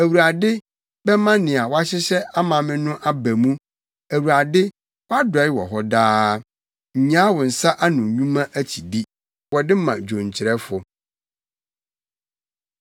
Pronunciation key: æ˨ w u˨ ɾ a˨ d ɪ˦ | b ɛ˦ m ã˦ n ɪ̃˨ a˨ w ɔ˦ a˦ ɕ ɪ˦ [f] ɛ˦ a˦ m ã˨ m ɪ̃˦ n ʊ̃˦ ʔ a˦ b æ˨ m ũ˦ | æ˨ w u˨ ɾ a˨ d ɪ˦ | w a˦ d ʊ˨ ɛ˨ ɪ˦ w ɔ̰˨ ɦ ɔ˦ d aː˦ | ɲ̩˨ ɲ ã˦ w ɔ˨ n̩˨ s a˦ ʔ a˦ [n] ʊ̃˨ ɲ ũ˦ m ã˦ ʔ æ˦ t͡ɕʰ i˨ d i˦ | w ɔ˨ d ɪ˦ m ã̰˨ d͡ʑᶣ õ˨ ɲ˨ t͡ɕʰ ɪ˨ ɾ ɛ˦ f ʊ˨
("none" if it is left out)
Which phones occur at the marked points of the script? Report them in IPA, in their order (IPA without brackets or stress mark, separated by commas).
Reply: ɕ, n